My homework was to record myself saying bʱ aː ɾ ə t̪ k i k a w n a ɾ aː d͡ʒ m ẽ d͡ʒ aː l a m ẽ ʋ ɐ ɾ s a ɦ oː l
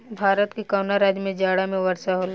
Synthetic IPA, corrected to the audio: bʱ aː ɾ ə t̪ k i k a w n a ɾ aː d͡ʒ m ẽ d͡ʒ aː ɽ a m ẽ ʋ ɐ ɾ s a ɦ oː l